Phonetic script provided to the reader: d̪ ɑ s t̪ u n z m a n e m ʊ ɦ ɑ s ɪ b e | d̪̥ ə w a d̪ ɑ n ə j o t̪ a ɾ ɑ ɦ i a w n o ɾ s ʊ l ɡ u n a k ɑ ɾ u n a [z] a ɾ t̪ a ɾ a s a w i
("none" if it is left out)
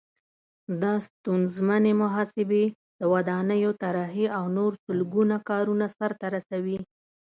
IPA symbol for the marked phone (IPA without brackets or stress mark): s